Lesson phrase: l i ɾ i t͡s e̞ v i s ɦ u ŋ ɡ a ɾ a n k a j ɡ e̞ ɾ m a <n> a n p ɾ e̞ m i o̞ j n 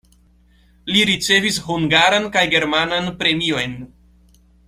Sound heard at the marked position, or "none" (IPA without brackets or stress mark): n